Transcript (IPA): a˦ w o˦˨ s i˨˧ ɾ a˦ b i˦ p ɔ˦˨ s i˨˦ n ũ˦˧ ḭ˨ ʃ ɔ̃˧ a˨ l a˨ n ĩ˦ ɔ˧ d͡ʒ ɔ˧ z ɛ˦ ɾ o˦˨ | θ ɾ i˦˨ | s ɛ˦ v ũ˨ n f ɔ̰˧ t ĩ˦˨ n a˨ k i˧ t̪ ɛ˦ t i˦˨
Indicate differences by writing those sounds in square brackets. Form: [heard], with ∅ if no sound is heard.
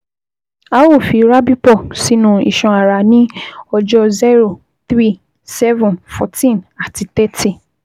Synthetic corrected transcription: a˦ w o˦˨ [f] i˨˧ ɾ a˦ b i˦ p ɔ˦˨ s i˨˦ n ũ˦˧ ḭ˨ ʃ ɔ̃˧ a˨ [ɾ] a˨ n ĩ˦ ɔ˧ d͡ʒ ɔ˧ z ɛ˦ ɾ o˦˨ | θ ɾ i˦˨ | s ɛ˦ v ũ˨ n f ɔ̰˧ t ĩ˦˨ n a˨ [t] i˧ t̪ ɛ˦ t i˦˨

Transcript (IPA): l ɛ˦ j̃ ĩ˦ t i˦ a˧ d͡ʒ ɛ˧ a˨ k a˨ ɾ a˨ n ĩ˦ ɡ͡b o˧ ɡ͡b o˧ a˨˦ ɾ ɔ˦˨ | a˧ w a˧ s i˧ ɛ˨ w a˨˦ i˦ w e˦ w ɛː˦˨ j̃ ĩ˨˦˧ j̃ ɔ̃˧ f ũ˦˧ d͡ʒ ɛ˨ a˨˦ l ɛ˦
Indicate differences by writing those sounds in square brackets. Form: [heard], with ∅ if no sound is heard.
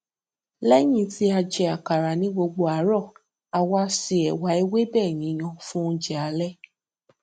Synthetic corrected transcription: l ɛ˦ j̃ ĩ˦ t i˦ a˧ d͡ʒ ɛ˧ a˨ k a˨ ɾ a˨ n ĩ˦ ɡ͡b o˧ ɡ͡b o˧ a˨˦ ɾ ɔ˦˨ | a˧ w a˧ s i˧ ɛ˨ w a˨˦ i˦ w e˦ [b] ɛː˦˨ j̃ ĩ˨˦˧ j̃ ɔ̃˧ f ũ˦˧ d͡ʒ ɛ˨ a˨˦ l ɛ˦

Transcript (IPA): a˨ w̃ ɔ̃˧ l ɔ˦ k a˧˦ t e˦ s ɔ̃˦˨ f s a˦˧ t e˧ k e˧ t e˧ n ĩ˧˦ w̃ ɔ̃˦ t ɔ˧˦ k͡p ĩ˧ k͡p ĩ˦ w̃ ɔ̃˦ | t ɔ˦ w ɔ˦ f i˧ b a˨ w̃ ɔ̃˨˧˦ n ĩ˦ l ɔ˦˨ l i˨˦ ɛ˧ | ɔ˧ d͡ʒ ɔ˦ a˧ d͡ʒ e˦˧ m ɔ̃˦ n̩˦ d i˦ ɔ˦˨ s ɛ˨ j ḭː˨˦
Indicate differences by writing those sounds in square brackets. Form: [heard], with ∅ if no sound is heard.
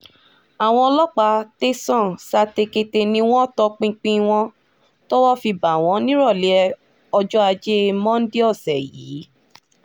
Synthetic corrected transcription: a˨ w̃ ɔ̃˧ l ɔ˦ [k͡p] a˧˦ t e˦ s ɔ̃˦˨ [∅] s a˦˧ t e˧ k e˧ t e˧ n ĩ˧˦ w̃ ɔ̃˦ t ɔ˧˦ k͡p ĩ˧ k͡p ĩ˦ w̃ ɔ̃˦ | t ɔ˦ w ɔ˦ f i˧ b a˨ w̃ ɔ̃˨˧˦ n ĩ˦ [ɾ] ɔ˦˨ l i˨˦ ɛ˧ | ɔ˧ d͡ʒ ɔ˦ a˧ d͡ʒ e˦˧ m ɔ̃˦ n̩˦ d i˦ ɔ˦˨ s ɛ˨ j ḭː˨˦

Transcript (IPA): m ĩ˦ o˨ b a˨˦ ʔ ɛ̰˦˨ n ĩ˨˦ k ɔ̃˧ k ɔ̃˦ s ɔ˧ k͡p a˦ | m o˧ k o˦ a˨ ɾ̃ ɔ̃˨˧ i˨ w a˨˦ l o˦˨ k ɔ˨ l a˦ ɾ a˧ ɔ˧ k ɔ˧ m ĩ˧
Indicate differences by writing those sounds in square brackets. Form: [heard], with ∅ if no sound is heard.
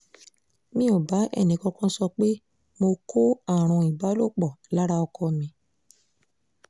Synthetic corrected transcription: m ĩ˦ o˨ b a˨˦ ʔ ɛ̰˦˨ n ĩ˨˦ k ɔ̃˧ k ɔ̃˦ s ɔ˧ k͡p [e˦] | m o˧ k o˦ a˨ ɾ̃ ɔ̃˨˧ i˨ [b] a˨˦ l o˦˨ [k͡p] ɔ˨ l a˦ ɾ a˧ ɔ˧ k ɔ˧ m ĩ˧

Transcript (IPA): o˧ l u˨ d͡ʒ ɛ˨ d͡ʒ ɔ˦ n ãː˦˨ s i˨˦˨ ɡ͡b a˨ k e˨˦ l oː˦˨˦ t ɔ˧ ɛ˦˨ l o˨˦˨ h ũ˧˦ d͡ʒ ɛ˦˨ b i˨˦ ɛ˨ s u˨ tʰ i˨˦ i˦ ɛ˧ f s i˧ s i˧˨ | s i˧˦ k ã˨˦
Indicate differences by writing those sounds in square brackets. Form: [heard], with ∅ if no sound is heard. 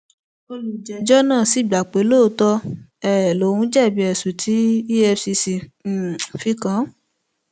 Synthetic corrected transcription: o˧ l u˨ d͡ʒ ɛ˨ d͡ʒ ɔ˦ n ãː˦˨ s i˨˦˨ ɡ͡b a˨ [k͡p] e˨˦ l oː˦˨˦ t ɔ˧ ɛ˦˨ l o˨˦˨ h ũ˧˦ d͡ʒ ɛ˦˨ b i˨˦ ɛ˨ s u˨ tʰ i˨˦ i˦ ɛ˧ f s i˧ s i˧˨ | [f] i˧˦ k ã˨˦

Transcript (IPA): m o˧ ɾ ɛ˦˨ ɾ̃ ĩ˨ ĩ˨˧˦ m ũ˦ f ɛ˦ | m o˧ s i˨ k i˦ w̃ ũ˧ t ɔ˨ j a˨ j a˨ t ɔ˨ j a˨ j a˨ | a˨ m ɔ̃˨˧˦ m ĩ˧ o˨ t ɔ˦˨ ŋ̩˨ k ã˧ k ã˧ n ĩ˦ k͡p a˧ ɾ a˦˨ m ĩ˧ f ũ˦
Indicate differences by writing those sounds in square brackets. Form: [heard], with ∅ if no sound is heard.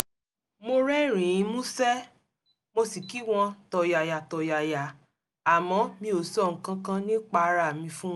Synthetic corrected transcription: m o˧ ɾ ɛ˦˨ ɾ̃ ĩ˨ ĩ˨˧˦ m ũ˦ [s] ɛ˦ | m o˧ s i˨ k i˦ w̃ [ɔ̃˧] t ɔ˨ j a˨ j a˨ t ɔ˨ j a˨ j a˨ | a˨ m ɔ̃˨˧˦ m ĩ˧ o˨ [s] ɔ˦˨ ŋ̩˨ k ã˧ k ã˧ n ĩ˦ k͡p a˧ ɾ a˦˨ m ĩ˧ f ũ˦

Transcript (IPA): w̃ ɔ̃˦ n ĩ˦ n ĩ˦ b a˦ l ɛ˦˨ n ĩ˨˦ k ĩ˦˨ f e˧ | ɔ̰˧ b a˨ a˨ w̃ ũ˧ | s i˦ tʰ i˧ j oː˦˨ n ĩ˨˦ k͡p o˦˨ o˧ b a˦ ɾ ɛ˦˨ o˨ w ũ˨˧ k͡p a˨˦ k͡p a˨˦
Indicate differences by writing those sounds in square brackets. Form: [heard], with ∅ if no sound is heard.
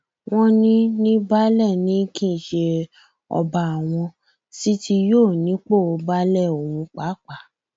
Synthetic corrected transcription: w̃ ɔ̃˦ n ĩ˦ n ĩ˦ b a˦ l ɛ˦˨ n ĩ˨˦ k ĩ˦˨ [ʃ] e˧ | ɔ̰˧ b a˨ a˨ w̃ [ɔ̃˧] | s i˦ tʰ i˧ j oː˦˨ n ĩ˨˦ k͡p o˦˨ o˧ b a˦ [l] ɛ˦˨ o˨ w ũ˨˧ k͡p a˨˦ k͡p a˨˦

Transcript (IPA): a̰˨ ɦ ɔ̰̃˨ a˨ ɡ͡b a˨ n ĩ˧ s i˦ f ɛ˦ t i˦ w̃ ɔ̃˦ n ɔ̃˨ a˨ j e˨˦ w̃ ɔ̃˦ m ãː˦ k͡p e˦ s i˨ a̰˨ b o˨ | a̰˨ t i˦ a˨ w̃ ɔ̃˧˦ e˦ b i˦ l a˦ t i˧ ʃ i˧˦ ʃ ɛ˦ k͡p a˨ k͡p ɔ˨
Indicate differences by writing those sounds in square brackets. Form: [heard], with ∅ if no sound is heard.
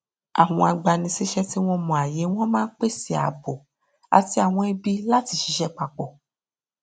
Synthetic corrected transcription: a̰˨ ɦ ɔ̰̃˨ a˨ ɡ͡b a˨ n ĩ˧ s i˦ [ʃ] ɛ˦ t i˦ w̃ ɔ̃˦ [m] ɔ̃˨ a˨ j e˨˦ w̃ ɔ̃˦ m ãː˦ k͡p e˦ s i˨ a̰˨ b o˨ | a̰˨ t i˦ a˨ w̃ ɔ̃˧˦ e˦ b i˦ l a˦ t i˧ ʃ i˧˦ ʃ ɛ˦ k͡p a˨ k͡p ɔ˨

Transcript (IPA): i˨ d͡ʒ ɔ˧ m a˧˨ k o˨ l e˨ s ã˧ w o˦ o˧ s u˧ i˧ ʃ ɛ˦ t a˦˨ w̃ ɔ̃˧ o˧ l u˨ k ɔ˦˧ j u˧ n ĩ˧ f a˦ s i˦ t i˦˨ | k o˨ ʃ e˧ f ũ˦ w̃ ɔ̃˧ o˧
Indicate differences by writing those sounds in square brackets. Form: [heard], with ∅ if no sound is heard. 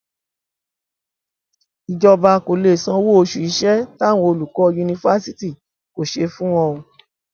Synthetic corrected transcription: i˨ d͡ʒ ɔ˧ [b] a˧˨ k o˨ l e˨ s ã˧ w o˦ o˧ [ʃ] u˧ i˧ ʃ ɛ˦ t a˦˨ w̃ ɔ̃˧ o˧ l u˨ k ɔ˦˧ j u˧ n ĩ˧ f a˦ s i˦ t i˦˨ | k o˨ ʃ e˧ f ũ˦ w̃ ɔ̃˧ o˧

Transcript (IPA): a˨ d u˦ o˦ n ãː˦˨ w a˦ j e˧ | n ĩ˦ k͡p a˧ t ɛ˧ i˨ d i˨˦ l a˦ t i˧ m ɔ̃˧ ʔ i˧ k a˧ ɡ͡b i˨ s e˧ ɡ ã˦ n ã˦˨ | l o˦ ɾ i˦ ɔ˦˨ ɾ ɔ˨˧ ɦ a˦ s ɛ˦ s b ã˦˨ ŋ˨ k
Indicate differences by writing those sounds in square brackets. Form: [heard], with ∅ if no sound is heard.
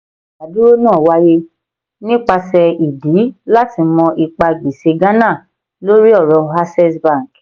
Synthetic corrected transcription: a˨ d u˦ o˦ n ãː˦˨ w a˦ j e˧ | n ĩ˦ k͡p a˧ [s] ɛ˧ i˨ d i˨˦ l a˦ t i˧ m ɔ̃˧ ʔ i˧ [k͡p] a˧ ɡ͡b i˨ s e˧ ɡ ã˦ n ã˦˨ | l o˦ ɾ i˦ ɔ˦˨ ɾ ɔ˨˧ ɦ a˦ s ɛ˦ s b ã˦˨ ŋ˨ k

